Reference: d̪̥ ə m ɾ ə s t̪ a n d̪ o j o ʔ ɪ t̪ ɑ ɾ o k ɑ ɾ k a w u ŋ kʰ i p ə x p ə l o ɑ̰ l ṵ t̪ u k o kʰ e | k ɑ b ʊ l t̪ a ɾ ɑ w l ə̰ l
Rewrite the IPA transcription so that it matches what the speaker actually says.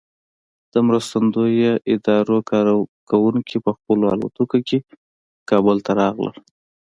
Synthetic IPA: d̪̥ ə m ɾ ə s t̪ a n d̪ o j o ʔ ɪ d̪ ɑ ɾ o k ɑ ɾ k a w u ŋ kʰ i p ə x p ə l o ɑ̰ l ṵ t̪ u k o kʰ e | k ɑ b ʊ l t̪ a ɾ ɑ ɣ l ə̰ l